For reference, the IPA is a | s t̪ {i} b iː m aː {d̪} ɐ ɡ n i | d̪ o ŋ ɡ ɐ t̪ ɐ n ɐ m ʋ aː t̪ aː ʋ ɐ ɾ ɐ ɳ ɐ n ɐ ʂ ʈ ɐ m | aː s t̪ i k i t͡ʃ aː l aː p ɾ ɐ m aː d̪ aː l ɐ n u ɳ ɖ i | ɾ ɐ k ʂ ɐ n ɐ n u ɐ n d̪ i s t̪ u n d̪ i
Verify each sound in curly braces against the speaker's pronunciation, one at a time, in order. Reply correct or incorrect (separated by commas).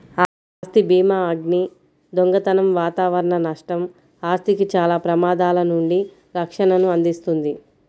correct, incorrect